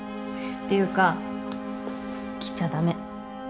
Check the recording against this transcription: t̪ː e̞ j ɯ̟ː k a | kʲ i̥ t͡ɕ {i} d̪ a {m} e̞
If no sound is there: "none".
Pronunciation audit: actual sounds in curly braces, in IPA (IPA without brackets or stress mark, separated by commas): a, m